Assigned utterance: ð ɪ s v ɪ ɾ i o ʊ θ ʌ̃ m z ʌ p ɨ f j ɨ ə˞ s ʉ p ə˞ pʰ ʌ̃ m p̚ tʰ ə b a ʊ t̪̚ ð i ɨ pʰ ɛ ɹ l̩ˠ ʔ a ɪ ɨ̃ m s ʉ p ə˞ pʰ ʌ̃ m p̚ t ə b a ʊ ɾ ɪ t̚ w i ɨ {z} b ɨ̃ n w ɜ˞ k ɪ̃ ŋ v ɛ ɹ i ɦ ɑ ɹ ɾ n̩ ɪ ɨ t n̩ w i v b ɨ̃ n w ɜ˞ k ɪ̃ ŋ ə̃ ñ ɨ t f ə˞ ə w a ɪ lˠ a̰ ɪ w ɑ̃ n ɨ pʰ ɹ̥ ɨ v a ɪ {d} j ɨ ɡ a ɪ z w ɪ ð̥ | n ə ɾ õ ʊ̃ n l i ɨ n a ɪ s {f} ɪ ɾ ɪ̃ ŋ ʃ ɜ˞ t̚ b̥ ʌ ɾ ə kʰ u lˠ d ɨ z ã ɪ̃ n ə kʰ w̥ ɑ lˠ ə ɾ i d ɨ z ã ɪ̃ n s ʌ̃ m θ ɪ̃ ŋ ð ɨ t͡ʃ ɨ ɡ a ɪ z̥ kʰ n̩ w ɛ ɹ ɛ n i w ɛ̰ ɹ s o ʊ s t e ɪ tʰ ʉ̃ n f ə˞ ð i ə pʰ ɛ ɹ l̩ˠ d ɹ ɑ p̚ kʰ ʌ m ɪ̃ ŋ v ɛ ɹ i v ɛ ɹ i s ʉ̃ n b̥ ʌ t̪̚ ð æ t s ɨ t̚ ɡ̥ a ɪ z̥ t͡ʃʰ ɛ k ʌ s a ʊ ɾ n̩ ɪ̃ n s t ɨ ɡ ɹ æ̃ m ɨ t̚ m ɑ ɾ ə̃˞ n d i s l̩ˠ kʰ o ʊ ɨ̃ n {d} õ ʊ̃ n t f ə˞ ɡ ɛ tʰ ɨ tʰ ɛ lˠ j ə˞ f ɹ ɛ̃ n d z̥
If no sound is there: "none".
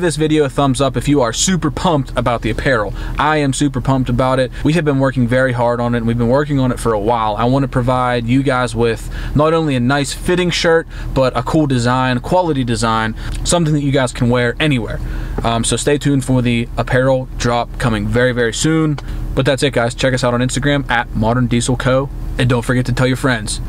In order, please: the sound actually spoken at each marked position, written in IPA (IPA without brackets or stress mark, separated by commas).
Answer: v, d, f, d